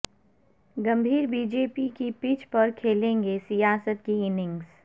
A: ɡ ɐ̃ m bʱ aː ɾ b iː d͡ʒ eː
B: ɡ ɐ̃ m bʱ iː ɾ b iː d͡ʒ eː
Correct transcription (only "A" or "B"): B